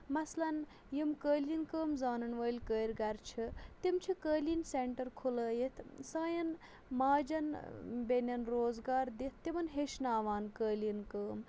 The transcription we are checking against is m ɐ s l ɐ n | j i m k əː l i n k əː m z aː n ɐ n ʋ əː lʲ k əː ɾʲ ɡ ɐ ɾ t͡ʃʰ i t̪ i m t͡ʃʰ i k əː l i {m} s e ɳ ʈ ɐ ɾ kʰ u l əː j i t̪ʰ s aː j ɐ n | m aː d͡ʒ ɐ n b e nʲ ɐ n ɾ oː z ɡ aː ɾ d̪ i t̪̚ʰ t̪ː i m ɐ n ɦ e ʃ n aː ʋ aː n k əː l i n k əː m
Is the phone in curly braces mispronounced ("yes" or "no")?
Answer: yes